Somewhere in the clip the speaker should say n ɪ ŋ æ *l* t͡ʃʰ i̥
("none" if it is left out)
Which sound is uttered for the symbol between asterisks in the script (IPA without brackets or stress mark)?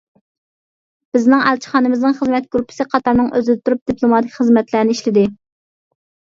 l